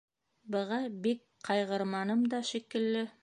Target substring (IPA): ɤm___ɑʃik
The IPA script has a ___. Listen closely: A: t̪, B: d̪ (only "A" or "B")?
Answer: B